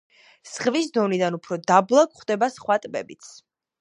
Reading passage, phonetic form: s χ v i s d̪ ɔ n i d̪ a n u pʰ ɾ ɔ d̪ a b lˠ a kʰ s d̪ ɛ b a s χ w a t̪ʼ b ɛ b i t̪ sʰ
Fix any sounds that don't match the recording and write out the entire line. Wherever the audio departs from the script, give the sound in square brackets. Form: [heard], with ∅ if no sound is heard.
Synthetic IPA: s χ v i s d̪ ɔ n i d̪ a n u pʰ ɾ ɔ d̪ a b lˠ a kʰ [χ] d̪ ɛ b a s χ w a t̪ʼ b ɛ b i t̪ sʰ

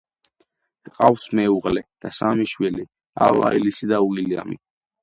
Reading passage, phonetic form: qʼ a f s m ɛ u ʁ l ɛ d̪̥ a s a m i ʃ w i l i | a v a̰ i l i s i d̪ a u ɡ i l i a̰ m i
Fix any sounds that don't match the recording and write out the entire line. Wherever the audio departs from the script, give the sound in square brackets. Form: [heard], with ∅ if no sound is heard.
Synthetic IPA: qʼ a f s m ɛ u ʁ l ɛ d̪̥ a s a m i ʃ w i l i | a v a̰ i l i s i d̪ a u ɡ i l i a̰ m i

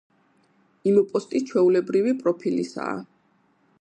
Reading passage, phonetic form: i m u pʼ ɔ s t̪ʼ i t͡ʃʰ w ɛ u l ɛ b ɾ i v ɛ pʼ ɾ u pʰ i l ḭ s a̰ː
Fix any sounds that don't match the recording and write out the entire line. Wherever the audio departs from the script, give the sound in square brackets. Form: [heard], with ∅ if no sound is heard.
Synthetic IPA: i m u pʼ ɔ s t̪ʼ i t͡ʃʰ w ɛ u l ɛ b ɾ i v [i] pʼ ɾ [ɔ] pʰ i l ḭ s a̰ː

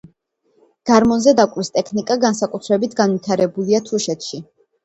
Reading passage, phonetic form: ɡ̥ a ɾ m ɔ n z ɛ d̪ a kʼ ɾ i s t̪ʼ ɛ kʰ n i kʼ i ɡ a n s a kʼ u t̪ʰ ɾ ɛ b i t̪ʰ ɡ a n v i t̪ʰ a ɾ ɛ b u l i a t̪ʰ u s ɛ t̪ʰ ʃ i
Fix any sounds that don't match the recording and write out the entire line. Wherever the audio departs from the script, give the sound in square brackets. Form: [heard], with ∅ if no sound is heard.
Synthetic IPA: ɡ̥ a ɾ m ɔ n z ɛ d̪ a kʼ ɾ i s t̪ʼ ɛ kʰ n i kʼ [a] ɡ a n s a kʼ u t̪ʰ ɾ ɛ b i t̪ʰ ɡ a n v i t̪ʰ a ɾ ɛ b u l i a t̪ʰ u [ʃ] ɛ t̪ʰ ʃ i

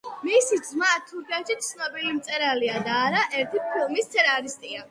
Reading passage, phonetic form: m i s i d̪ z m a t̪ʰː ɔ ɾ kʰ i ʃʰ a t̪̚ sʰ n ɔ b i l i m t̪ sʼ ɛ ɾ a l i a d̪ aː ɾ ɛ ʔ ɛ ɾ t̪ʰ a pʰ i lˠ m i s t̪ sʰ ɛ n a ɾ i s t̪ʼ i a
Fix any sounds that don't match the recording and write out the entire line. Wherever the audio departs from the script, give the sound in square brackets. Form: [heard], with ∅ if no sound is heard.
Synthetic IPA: m i s i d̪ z m a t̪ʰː [u] ɾ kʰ [ɛ] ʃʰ [i] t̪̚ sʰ n ɔ b i l i m t̪ sʼ ɛ ɾ a l i a d̪ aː ɾ [a] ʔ ɛ ɾ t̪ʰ [i] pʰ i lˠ m i s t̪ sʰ ɛ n a ɾ i s t̪ʼ i a

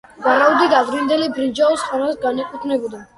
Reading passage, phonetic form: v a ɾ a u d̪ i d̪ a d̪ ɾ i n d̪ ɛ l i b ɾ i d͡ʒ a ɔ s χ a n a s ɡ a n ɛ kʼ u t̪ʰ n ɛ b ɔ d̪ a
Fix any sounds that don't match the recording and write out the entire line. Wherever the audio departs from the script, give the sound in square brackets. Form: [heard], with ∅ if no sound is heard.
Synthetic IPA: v a ɾ a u d̪ i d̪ a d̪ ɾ i n d̪ ɛ l i b ɾ i d͡ʒ a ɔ s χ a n a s ɡ a n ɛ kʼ u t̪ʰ n ɛ b ɔ d̪ a

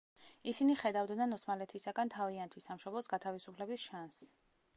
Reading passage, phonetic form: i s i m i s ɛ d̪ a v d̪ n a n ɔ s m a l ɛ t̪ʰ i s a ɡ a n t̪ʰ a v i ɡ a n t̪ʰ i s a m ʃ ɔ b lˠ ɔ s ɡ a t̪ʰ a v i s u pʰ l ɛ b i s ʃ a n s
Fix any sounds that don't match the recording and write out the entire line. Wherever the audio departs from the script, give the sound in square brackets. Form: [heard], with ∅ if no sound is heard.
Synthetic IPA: i s i [n] i [χ] ɛ d̪ a v d̪ n a n ɔ s m a l ɛ t̪ʰ i s a ɡ a n t̪ʰ a v i [∅] a n t̪ʰ i s a m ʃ ɔ b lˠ ɔ s ɡ a t̪ʰ a v i s u pʰ l ɛ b i s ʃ a n s

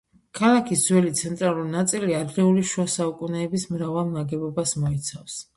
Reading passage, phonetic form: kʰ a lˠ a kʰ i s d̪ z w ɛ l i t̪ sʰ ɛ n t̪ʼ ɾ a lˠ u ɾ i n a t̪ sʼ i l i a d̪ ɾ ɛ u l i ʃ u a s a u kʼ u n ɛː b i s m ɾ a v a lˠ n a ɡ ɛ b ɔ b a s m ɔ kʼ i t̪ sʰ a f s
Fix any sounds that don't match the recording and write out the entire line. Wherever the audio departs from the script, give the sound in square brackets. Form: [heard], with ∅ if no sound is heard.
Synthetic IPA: kʰ a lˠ a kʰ i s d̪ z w ɛ l i t̪ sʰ ɛ n t̪ʼ ɾ a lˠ u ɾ i n a t̪ sʼ i l i a d̪ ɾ ɛ u l i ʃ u a s a u kʼ u n ɛː b i s m ɾ a v a lˠ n a ɡ ɛ b ɔ b a s m ɔ [∅] i t̪ sʰ a f s

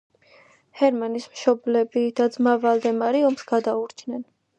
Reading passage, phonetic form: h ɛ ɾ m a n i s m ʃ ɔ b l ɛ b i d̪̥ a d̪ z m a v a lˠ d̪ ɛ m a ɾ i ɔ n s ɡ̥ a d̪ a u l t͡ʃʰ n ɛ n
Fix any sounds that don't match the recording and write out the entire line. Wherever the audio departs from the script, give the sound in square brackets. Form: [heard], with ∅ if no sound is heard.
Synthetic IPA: h ɛ ɾ m a n i s m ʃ ɔ b l ɛ b i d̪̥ a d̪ z m a v a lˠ d̪ ɛ m a ɾ i ɔ [m] s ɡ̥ a d̪ a u [ɾ] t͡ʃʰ n ɛ n

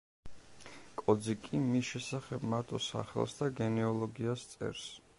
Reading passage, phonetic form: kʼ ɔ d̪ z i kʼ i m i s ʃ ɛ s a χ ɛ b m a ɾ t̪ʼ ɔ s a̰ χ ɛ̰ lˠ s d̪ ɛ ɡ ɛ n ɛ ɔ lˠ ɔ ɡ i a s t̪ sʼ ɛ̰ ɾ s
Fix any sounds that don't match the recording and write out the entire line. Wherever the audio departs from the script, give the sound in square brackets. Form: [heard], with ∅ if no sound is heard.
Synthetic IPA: kʼ ɔ d̪ z i kʼ i m i s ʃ ɛ s a χ ɛ b m a ɾ t̪ʼ ɔ s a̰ χ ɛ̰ lˠ s d̪ [a] ɡ ɛ n ɛ ɔ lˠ ɔ ɡ i a s t̪ sʼ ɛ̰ ɾ s

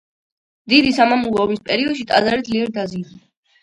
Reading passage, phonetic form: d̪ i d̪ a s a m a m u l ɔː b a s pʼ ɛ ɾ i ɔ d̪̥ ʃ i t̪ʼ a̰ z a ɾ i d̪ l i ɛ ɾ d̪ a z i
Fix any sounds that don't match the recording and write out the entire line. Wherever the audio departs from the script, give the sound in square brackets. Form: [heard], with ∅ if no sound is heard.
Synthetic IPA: d̪ i d̪ [i] s a m a m u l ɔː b [i] s pʼ ɛ ɾ i ɔ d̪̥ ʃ i t̪ʼ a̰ z a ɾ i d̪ l i ɛ ɾ d̪ a z i

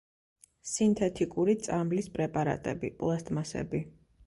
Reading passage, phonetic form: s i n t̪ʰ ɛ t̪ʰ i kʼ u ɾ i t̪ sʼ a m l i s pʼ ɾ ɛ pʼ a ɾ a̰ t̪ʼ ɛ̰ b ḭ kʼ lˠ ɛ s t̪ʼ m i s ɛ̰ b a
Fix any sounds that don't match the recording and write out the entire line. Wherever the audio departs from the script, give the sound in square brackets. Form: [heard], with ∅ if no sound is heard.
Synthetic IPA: s i n t̪ʰ ɛ t̪ʰ i kʼ u ɾ i t̪ sʼ a m l i s pʼ ɾ ɛ pʼ a ɾ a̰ t̪ʼ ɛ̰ b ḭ [pʼ] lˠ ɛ s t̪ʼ m [a] s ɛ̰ b [i]

